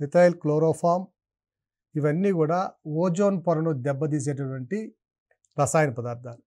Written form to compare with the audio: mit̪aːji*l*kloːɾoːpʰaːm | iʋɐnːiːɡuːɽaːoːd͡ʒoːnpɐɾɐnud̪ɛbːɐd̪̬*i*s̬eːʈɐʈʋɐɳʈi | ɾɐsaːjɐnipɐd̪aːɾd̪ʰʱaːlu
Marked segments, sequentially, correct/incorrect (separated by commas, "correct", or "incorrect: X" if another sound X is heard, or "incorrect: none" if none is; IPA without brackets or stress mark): correct, incorrect: iː